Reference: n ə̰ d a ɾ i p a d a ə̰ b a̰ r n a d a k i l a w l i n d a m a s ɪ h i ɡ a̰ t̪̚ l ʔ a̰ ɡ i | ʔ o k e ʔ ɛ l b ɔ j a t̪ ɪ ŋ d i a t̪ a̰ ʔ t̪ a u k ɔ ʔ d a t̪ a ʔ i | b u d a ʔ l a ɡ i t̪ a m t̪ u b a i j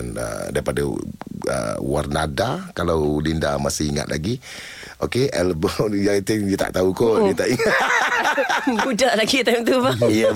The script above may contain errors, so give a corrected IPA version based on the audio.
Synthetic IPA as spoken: n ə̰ d a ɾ i p a d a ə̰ w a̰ r n a d a k a l a w l i n d a m a s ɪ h i ŋ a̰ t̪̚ l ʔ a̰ ɡ i | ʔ o k e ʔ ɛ l b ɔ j a t̪ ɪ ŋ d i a t̪ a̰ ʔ t̪ a u k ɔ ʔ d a t̪ a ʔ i | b u d a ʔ l a ɡ i t̪ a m t̪ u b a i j